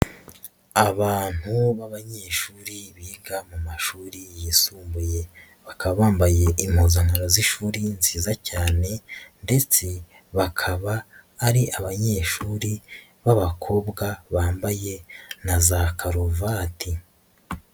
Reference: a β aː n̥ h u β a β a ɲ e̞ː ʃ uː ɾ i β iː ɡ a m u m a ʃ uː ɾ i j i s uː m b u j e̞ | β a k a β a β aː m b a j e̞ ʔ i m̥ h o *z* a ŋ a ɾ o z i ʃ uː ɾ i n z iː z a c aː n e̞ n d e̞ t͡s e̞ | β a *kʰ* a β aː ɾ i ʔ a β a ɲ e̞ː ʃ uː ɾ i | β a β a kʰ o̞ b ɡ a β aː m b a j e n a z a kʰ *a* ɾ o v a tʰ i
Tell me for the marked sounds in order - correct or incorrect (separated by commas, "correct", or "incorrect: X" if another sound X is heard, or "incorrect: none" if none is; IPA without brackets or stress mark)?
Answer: correct, correct, correct